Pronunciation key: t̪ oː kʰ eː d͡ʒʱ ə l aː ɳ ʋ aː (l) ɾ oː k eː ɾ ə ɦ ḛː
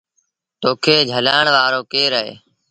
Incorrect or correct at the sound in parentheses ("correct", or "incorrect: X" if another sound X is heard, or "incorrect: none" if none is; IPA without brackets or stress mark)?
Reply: incorrect: none